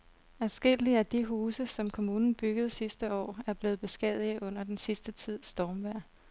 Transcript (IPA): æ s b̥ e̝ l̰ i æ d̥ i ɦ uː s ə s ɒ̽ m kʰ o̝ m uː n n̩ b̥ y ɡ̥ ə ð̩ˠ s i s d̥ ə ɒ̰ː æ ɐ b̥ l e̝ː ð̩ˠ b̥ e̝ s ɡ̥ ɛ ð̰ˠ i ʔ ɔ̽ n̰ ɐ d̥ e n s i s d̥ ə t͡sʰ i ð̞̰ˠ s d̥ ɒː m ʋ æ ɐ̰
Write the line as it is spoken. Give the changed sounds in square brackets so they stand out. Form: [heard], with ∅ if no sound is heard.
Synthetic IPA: æ s [ɡ̥] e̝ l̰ i æ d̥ i ɦ uː s ə s ɒ̽ m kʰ o̝ m uː n n̩ b̥ y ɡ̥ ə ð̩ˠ s i s d̥ ə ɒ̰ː æ ɐ b̥ l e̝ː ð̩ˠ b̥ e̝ s ɡ̥ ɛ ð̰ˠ i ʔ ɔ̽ n̰ ɐ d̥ e n s i s d̥ ə t͡sʰ i ð̞̰ˠ s d̥ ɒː m ʋ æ ɐ̰